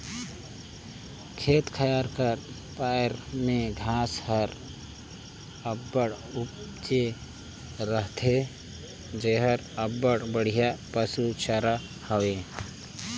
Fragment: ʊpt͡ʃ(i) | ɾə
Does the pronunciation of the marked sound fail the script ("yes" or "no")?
yes